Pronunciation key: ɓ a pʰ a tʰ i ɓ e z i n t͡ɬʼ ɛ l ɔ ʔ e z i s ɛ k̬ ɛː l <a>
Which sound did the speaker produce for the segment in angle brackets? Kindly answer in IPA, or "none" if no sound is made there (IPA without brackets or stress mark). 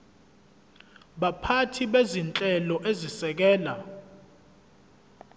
a